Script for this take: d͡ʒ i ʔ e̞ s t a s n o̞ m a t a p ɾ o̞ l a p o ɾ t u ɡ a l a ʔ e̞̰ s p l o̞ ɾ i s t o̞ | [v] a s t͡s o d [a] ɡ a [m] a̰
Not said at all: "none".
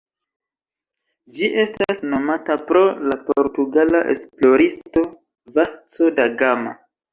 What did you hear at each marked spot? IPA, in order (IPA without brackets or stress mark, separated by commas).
v, a, m